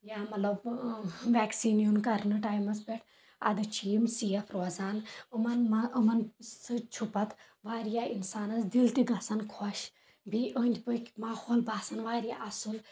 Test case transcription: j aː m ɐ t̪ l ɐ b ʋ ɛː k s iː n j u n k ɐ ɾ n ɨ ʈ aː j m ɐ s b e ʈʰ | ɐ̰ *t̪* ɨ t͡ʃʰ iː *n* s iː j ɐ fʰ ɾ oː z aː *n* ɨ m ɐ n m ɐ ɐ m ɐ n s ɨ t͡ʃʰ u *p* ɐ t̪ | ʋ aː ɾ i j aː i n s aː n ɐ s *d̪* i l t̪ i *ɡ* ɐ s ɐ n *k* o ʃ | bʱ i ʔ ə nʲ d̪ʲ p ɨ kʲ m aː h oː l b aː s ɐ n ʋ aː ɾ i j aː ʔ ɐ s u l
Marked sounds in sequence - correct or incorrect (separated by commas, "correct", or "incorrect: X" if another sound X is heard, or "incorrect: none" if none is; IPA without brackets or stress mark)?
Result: incorrect: d̪, incorrect: m, correct, correct, correct, correct, incorrect: kʰ